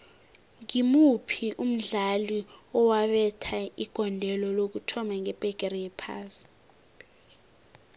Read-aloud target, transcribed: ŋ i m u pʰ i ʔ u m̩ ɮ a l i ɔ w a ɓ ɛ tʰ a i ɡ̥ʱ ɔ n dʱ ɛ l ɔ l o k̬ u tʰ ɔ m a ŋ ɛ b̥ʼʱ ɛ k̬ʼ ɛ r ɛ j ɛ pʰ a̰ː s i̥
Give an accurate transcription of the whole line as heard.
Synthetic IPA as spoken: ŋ i m u pʰ i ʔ u m̩ ɮ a l i ɔ w a ɓ ɛ tʰ a i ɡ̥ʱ ɔ n dʱ ɛ l ɔ l o k̬ u tʰ ɔ m a ŋ ɛ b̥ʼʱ ɛ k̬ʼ ɛ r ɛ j ɛ pʰ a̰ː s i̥